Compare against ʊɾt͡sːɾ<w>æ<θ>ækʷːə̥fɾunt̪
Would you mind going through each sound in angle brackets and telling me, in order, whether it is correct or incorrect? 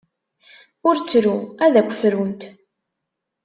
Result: incorrect: u, incorrect: ð

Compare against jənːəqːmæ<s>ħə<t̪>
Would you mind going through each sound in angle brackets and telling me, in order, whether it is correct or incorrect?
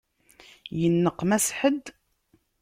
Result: correct, incorrect: d̪

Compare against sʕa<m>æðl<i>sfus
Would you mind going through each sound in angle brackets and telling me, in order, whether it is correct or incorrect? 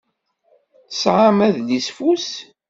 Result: correct, correct

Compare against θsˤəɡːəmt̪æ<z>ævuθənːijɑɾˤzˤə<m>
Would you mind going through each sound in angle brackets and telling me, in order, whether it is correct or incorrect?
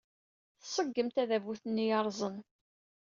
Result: incorrect: ð, incorrect: n

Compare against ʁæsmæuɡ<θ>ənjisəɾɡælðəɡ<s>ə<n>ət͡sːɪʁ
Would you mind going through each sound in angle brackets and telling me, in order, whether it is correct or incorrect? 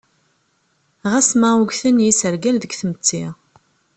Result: correct, incorrect: θ, incorrect: m

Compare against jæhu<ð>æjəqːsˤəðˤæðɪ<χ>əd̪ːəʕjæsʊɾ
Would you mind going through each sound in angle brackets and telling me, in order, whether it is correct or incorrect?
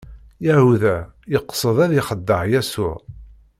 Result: correct, correct

